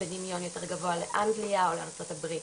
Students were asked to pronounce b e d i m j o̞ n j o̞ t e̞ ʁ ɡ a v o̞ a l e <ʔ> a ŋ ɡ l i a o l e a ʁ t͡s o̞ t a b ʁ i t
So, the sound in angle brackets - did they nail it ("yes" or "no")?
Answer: yes